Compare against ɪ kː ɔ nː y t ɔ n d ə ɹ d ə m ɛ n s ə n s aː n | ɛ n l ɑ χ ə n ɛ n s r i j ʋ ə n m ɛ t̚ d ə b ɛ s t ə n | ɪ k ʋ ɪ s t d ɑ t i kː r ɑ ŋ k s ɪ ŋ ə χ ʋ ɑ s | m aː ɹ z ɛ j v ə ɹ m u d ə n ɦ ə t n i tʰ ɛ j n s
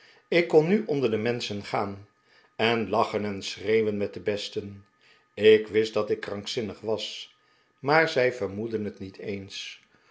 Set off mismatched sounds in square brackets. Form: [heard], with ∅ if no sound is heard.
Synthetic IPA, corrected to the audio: ɪ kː ɔ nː y [ʔ] ɔ n d ə ɹ d ə m ɛ n s ə n [χ] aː n | ɛ n l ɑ χ ə n ɛ n s r [e] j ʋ ə n m ɛ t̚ d ə b ɛ s t ə n | ɪ k ʋ ɪ s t d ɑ t [ɪ] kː r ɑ ŋ k s ɪ [n] ə χ ʋ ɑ s | m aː ɹ z ɛ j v ə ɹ m u d ə n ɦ ə t n i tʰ [e] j n s